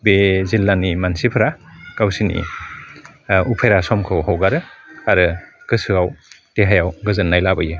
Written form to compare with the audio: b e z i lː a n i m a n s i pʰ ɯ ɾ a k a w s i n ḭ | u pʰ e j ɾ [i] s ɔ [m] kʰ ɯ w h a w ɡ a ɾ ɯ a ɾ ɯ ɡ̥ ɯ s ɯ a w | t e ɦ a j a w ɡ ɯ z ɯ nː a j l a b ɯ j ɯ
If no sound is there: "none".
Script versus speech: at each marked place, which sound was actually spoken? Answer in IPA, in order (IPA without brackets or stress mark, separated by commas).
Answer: a, m